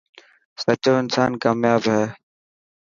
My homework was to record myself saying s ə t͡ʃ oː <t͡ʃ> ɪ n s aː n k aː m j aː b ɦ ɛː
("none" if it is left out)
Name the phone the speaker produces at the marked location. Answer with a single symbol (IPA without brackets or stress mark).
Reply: none